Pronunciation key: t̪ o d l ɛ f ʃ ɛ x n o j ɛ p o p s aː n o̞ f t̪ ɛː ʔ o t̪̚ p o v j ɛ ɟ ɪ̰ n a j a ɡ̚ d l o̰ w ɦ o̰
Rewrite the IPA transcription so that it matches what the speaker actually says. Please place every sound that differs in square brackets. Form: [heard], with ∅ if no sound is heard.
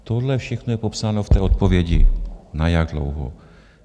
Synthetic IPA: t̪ o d l ɛ f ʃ ɛ x n o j ɛ p o p s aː n o̞ f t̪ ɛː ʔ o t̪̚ p o v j ɛ ɟ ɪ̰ n a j a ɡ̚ d l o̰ w ɦ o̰